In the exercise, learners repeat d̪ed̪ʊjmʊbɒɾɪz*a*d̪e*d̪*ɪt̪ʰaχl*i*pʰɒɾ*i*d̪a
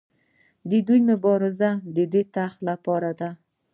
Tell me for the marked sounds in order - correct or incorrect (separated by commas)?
correct, correct, incorrect, incorrect